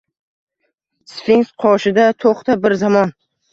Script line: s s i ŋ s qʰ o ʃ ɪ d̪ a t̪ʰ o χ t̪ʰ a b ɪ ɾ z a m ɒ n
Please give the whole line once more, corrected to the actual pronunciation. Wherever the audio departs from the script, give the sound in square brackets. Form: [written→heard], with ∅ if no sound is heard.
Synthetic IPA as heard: s [s→f] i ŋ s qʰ [o→ɒ] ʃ ɪ d̪ a t̪ʰ o χ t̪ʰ a b ɪ ɾ z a m ɒ n